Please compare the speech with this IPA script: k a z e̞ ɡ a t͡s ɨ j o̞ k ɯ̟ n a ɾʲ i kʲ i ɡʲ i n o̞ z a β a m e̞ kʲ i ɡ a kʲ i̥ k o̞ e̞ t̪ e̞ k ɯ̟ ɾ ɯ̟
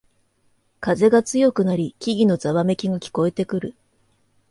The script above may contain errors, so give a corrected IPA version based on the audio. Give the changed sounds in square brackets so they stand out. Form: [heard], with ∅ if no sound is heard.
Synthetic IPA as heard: k a z e̞ ɡ a t͡s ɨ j o̞ k ɯ̟ n a ɾʲ i kʲ i ɡʲ i n o̞ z a β a m e̞ kʲ i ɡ a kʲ i̥ k o̞ e̞ t̪ e̞ k ɯ̟ ɾ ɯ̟